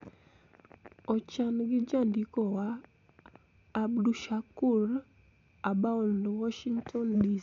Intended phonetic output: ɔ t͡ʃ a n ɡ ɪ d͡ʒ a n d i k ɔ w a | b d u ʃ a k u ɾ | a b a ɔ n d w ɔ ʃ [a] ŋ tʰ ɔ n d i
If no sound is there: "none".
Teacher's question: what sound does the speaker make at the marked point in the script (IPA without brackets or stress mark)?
i